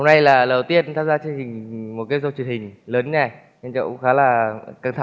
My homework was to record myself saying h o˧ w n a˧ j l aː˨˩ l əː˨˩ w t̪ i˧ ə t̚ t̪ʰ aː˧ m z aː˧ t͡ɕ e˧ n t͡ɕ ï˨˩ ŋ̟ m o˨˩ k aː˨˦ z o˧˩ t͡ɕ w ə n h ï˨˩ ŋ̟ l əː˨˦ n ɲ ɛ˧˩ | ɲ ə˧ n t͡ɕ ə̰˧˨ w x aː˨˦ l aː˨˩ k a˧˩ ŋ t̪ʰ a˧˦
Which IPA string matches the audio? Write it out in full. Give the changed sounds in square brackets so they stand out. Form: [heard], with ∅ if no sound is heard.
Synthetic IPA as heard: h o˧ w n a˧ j l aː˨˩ l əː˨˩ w t̪ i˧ ə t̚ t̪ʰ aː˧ m z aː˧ t͡ɕ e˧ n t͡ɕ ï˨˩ ŋ̟ m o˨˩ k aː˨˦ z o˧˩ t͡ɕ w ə n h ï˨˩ ŋ̟ l əː˨˦ n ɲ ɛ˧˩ | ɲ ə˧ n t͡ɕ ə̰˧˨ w x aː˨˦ l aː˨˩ k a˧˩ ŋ t̪ʰ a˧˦